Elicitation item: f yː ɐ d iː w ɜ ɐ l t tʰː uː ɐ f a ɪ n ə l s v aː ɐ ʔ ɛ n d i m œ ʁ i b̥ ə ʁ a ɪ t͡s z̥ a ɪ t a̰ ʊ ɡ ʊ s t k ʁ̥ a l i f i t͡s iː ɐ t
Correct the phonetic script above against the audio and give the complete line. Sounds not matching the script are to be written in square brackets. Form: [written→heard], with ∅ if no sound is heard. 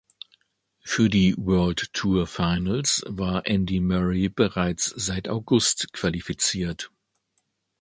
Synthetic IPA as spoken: f yː ɐ d iː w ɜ ɐ l t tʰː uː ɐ f a ɪ n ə l s v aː ɐ ʔ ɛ n d i m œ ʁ i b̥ ə ʁ a ɪ t͡s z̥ a ɪ t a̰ ʊ ɡ ʊ s t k [ʁ̥→v̥] a l i f i t͡s iː ɐ t